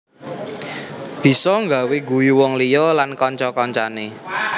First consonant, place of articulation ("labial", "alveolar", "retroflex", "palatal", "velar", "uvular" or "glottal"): labial